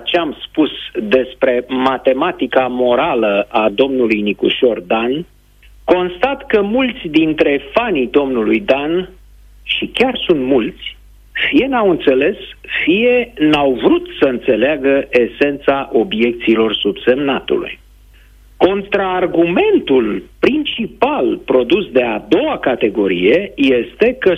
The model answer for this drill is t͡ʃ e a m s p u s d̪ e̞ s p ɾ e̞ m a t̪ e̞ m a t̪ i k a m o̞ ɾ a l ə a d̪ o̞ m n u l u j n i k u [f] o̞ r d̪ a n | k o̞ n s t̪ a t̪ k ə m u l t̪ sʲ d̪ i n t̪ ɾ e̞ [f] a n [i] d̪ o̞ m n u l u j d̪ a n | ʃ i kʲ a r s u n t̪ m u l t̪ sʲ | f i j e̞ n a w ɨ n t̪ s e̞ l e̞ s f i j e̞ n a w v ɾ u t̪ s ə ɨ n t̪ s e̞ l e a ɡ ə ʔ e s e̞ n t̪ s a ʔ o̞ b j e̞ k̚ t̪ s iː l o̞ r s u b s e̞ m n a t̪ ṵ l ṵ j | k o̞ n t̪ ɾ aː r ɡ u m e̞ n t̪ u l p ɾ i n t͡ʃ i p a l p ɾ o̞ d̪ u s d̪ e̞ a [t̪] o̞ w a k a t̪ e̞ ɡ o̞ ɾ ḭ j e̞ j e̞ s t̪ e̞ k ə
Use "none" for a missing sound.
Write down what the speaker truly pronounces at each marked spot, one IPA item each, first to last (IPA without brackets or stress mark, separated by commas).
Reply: ʃ, f, i, d̪